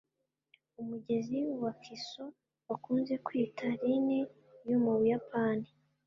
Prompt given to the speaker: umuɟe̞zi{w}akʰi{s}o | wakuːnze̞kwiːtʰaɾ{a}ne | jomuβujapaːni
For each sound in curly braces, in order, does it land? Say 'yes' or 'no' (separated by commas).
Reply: yes, yes, no